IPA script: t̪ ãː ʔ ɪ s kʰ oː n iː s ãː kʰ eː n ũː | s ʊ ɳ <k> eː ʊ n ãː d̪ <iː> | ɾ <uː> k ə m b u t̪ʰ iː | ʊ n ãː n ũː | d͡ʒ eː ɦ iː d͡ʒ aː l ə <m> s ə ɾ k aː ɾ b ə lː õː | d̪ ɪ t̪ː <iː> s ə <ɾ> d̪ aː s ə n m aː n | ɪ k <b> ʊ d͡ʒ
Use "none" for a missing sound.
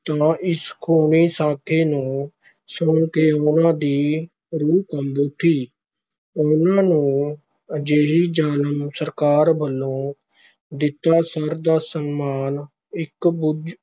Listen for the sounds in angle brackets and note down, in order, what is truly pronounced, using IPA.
k, iː, uː, m, aː, ɾ, b

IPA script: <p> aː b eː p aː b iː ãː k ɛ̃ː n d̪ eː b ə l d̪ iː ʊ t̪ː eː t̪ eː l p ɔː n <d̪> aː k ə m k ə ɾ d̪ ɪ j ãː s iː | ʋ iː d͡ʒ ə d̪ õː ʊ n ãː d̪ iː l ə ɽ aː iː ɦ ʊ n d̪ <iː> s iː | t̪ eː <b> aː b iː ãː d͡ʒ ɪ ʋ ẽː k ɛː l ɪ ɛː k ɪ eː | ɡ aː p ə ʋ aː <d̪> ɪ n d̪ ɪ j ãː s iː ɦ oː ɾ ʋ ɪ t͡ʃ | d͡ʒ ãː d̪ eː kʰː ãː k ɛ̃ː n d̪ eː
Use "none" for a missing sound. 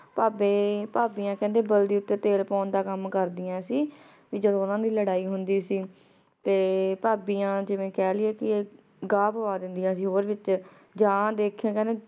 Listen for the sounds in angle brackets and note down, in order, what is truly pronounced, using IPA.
p, d̪, iː, p, d̪

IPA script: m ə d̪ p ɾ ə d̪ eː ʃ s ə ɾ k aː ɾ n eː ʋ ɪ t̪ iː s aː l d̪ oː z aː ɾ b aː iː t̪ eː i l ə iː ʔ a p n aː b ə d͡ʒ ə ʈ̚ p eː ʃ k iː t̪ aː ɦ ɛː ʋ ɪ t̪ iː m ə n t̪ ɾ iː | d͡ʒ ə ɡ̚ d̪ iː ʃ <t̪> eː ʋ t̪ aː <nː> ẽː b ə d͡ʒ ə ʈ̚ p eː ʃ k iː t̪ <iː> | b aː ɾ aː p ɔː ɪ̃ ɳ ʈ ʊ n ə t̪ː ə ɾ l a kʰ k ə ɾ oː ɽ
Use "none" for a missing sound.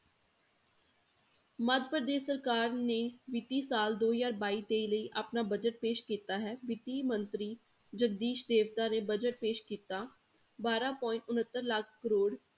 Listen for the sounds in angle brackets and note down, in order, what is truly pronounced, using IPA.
d̪, n, aː

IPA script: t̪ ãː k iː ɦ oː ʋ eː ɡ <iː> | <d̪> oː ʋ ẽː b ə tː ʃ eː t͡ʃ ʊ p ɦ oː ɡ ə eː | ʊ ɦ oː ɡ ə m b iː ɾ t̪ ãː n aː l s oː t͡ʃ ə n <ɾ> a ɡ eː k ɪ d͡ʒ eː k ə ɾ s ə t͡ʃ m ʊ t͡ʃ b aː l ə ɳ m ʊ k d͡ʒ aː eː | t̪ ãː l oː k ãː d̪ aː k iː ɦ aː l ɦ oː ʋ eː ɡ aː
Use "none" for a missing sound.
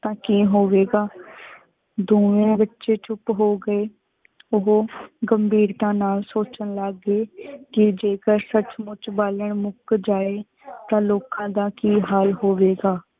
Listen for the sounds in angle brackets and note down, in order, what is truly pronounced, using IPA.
aː, d̪, l

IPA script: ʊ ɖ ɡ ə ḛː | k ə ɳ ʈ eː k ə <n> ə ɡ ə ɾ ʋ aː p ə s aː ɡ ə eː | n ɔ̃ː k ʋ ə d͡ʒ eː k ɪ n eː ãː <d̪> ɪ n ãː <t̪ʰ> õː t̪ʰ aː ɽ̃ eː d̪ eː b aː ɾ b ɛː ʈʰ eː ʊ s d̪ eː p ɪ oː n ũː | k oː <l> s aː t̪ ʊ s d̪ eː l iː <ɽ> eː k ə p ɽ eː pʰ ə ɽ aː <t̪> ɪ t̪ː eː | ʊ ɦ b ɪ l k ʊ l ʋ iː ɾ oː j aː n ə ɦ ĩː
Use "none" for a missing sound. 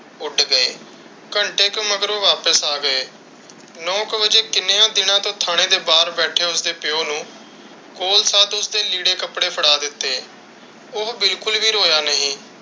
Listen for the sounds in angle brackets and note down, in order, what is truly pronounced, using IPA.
m, d̪, t̪, l, ɽ, d̪

